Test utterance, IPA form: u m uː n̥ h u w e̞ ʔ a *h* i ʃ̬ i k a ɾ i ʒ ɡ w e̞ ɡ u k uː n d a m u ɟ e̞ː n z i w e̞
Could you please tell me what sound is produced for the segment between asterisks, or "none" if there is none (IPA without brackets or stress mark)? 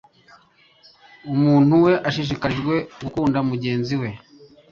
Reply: ʃ